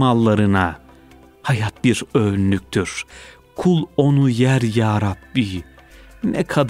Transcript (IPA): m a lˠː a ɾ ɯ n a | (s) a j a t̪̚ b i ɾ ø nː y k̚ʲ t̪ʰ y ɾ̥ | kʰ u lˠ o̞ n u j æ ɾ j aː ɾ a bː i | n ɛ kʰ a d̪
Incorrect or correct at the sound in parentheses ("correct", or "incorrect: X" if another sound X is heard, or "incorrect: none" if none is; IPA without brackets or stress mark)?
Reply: incorrect: h